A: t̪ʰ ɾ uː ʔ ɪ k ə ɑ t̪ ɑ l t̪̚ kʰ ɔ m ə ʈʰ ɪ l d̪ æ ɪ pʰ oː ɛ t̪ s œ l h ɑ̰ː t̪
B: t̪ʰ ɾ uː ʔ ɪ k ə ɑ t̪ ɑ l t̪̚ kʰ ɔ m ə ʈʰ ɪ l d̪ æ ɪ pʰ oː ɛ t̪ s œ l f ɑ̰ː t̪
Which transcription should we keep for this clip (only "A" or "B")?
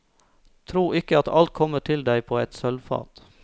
B